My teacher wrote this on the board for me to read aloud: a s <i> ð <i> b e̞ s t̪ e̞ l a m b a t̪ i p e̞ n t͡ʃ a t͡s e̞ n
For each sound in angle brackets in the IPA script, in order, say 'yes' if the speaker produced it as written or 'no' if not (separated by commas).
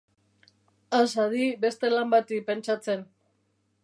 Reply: no, yes